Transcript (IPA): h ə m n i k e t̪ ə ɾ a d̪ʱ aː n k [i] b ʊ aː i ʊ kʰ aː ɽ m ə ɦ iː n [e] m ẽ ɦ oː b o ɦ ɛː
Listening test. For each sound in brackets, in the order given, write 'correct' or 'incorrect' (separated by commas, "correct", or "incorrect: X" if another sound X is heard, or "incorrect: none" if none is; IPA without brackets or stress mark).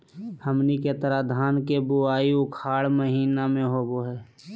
incorrect: e, incorrect: a